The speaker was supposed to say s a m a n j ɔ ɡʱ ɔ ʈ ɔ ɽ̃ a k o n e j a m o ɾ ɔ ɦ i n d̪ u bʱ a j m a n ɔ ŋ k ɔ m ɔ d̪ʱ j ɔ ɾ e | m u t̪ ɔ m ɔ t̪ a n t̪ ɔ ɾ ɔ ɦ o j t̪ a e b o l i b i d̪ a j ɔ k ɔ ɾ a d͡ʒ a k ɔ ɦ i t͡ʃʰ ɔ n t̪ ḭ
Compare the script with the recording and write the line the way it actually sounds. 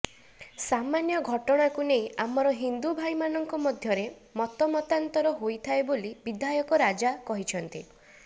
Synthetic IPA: s a m a n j ɔ ɡʱ ɔ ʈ ɔ ɽ̃ a k u n e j a m ɔ ɾ ɔ ɦ i n d̪ u bʱ a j m a n ɔ ŋ k ɔ m ɔ d̪ʱ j ɔ ɾ e | m ɔ t̪ ɔ m ɔ t̪ a n t̪ ɔ ɾ ɔ ɦ o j t̪ʰ a e b o l i b i d̪ a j ɔ k ɔ ɾ a d͡ʒ a k ɔ ɦ i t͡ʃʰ ɔ n t̪ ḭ